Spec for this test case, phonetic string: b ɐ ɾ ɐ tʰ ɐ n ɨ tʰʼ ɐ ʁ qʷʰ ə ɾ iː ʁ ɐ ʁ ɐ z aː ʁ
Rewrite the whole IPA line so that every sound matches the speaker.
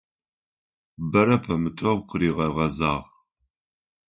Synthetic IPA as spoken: b ɐ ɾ ɐ pʰ ɐ m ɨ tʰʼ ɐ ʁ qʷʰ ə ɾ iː ʁ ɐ ʁ ɐ z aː ʁ